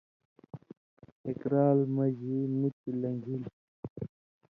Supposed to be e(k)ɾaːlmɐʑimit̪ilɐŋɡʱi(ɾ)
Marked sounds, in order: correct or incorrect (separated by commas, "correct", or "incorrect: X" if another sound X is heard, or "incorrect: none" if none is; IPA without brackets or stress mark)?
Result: correct, incorrect: l